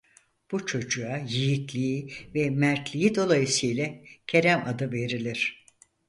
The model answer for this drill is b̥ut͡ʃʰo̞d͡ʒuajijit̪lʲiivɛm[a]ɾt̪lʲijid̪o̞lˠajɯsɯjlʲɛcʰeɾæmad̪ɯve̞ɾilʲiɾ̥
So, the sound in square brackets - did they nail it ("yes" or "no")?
no